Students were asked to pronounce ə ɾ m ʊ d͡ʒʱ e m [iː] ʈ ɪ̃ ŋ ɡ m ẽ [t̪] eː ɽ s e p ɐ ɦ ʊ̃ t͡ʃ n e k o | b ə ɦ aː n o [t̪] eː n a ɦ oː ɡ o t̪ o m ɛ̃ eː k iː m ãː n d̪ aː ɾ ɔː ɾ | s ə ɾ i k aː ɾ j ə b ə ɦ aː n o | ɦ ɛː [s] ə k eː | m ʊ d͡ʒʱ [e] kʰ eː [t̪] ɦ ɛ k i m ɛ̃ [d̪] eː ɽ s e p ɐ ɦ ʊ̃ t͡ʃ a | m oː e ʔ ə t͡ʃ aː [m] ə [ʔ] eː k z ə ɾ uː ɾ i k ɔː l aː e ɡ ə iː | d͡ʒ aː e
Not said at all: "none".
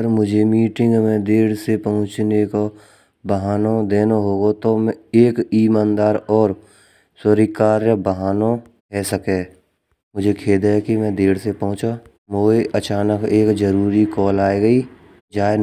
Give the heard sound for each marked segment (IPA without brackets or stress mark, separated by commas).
iː, d̪, d̪, s, e, d̪, d̪, n, k